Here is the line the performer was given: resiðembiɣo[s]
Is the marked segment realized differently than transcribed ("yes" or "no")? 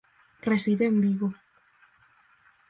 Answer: yes